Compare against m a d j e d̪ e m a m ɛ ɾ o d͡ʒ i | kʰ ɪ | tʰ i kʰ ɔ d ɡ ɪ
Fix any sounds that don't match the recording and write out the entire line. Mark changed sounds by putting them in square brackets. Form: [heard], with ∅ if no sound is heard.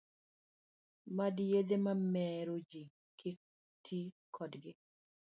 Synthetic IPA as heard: m a d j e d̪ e m a m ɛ ɾ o d͡ʒ i | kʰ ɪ | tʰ i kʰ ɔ d ɡ ɪ